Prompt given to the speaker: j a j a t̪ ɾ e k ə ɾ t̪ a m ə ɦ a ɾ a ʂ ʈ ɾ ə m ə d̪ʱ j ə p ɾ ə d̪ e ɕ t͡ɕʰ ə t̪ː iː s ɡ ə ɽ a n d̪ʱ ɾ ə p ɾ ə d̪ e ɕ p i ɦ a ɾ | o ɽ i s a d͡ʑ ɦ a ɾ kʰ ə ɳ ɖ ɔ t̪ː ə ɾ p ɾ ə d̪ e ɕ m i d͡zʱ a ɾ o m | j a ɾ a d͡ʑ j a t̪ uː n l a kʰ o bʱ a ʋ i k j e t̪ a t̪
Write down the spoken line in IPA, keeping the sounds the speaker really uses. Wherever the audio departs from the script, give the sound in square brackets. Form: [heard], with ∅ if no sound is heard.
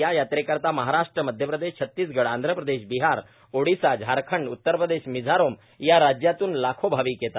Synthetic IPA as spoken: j a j a t̪ ɾ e k ə ɾ t̪ a m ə ɦ a ɾ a ʂ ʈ ɾ ə m ə d̪ʱ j ə p ɾ ə d̪ e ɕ t͡ɕʰ ə t̪ː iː s ɡ ə ɽ a n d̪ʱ ɾ ə p ɾ ə d̪ e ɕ [b] i ɦ a ɾ | o ɽ i s a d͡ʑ ɦ a ɾ kʰ ə ɳ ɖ [u] t̪ː ə ɾ p ɾ ə d̪ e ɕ m i d͡zʱ a ɾ o m | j a ɾ a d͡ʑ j a t̪ uː n l a kʰ o bʱ a ʋ i k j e t̪ a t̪